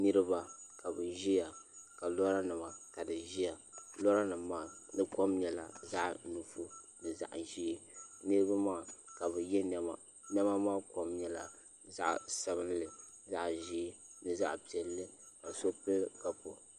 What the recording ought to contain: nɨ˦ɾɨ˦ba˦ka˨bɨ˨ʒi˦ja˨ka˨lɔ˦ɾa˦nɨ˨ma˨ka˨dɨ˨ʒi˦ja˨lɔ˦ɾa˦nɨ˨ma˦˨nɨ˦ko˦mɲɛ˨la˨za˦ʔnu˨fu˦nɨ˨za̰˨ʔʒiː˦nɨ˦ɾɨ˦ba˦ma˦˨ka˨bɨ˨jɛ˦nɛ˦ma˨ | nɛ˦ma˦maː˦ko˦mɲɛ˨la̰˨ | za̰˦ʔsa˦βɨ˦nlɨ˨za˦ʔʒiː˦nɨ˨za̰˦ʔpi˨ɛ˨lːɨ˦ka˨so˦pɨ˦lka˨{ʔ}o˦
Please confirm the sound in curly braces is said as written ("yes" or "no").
no